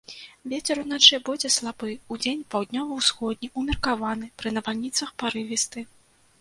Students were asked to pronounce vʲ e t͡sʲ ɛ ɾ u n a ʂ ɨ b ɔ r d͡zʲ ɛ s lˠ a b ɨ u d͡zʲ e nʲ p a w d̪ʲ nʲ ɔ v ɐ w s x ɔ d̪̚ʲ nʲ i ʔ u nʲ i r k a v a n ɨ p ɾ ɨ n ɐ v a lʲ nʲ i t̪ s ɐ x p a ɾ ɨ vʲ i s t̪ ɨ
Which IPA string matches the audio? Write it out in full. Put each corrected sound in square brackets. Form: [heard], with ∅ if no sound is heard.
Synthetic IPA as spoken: vʲ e t͡sʲ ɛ ɾ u n a [t͡ʂ] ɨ b ɔ [∅] d͡zʲ ɛ s lˠ a b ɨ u d͡zʲ e nʲ p a w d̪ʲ nʲ ɔ v ɐ w s x ɔ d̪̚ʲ nʲ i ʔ u [mʲ] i r k a v a n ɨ p ɾ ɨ n ɐ v a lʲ nʲ i t̪ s ɐ x p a ɾ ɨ vʲ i s t̪ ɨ